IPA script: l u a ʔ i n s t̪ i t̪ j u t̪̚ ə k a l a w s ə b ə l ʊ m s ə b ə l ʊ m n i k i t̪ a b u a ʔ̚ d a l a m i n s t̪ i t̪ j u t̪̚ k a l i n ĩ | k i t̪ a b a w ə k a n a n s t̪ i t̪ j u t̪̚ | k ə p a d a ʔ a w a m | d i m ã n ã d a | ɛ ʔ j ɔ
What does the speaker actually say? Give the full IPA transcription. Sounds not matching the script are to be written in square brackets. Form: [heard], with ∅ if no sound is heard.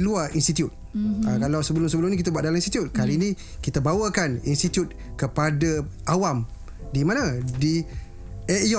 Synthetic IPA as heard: l u a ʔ i n s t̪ i t̪ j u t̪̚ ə k a l a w s ə b ə l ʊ m s ə b ə l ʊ m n i k i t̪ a b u a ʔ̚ d a l a m i n s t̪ i t̪ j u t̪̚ k a l i n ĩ | k i t̪ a b a w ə k a n [i] n s t̪ i t̪ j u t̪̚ | k ə p a d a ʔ a w a m | d i m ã n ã d [i] | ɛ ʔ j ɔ